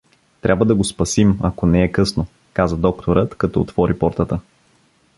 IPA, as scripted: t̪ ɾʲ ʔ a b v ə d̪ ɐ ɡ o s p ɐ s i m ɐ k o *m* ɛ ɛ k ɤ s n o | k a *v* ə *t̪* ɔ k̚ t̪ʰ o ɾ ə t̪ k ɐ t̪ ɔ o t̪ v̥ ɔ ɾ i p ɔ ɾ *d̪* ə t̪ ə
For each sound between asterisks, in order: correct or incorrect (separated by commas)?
incorrect, incorrect, incorrect, incorrect